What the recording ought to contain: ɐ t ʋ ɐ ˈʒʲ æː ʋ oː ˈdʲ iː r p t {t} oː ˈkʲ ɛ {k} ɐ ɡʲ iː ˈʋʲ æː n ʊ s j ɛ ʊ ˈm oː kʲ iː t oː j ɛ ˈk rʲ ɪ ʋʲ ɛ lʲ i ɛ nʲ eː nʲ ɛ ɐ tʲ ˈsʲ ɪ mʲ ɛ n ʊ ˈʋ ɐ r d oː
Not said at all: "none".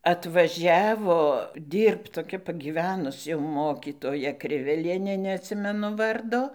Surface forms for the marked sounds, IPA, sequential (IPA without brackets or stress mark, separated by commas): t, p